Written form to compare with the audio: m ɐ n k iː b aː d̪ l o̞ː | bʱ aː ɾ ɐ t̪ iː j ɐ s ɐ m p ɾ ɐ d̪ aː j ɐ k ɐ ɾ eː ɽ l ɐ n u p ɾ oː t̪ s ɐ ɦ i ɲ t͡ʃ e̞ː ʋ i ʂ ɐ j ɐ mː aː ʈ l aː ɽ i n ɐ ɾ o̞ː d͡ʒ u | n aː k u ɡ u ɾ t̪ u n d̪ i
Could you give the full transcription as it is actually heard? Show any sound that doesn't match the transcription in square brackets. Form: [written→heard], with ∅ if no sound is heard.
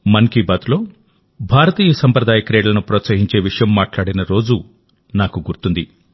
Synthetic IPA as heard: m ɐ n k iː b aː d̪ l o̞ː | bʱ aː ɾ ɐ t̪ iː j ɐ s ɐ m p ɾ ɐ d̪ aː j ɐ k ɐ ɾ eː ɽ l ɐ n u p ɾ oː t̪ s ɐ ɦ i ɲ t͡ʃ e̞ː ʋ i ʂ ɐ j ɐ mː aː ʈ l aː ɽ i n ɐ ɾ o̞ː d͡ʒ u | n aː k u ɡ u ɾ t̪ u n d̪ i